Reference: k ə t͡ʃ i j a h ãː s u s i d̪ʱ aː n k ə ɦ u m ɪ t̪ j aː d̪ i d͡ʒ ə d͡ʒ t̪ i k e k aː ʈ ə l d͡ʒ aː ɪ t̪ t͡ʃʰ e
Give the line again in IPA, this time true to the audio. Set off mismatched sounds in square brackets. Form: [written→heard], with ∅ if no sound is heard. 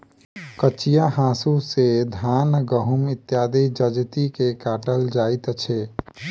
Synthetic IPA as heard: k ə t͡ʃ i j a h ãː s u s [i→e] d̪ʱ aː n [k→ɡ] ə ɦ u m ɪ t̪ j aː d̪ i d͡ʒ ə d͡ʒ t̪ i k e k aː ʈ ə l d͡ʒ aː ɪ t̪ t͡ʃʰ e